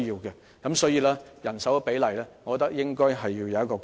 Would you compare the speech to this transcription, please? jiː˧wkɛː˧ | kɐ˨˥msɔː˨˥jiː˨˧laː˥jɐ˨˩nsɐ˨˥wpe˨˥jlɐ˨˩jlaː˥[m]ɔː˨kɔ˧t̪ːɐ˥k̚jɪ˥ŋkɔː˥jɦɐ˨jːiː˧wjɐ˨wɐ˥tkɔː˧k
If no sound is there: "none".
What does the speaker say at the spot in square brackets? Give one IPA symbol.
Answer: ŋ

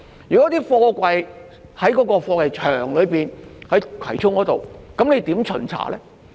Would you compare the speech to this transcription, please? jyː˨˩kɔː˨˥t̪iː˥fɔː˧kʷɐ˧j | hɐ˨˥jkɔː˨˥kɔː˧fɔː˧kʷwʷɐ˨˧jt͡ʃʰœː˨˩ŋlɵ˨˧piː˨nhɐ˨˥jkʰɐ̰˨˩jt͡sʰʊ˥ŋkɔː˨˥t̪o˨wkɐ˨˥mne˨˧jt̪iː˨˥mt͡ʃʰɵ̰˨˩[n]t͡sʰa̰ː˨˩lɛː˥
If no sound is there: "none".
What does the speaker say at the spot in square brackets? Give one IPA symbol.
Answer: n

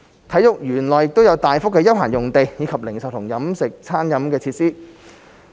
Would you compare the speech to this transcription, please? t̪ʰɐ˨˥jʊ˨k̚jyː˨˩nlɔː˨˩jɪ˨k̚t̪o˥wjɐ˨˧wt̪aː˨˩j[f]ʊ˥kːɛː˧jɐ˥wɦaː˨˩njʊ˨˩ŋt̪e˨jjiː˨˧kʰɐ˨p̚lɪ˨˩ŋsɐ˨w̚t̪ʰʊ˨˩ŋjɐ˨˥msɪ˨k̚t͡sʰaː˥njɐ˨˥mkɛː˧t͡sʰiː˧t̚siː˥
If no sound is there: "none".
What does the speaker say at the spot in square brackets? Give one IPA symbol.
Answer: f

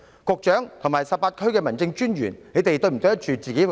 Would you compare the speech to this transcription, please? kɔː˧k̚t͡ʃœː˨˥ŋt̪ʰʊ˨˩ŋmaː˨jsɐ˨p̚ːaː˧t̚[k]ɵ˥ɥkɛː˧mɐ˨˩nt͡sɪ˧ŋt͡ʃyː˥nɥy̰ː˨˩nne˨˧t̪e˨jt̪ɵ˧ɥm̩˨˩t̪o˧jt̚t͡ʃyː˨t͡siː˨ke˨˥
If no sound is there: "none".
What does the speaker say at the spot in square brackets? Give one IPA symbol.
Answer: kʰ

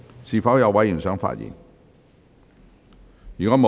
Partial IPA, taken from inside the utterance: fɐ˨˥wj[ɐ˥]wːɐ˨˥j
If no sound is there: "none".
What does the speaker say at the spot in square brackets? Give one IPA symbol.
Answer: ɐ˨˧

